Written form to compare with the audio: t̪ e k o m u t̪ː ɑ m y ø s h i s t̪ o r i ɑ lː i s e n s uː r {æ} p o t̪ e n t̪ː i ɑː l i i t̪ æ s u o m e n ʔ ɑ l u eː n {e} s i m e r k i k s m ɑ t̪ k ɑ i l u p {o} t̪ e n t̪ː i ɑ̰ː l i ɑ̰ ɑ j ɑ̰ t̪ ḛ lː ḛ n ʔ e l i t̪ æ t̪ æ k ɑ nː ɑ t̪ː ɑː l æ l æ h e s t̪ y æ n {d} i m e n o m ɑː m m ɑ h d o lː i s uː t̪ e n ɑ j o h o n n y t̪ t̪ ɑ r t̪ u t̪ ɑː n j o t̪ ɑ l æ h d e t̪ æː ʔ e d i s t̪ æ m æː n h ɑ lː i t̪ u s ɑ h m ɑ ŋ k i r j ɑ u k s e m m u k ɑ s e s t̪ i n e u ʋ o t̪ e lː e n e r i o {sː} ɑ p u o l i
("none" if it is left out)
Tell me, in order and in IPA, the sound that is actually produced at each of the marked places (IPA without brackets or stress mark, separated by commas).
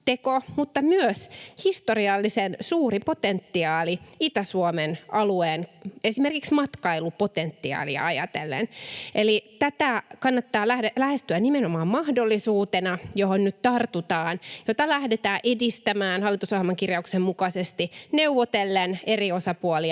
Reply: i, e, o, n, s